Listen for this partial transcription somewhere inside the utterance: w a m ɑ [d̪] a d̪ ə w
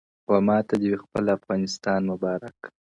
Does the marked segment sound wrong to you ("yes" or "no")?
yes